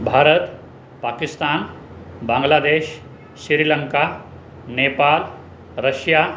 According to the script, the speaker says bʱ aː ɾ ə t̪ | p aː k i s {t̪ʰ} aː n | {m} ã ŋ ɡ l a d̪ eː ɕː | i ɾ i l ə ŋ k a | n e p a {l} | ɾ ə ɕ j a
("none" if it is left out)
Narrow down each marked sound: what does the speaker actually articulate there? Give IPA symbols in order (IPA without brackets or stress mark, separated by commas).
t̪, b, l